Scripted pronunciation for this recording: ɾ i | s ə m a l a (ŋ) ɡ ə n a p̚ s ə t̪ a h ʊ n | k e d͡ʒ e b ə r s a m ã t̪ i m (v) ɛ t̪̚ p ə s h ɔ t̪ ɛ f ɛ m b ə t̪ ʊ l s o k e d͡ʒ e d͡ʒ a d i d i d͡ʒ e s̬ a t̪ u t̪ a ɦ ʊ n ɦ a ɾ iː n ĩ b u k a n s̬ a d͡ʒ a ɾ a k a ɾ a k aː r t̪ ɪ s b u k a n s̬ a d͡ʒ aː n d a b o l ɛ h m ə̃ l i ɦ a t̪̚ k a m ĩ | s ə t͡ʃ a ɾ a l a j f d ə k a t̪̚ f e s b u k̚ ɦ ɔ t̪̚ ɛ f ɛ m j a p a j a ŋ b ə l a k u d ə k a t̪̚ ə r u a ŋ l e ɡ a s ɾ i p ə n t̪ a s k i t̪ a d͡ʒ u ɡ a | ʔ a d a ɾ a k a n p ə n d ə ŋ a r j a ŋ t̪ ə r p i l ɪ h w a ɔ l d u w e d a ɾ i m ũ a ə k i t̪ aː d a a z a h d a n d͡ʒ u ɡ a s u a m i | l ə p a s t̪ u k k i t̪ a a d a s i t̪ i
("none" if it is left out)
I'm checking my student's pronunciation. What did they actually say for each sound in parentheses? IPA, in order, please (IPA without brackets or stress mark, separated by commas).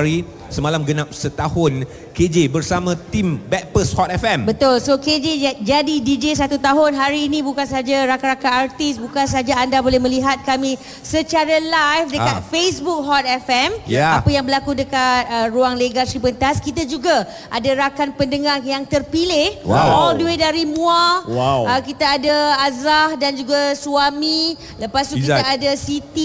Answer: m, b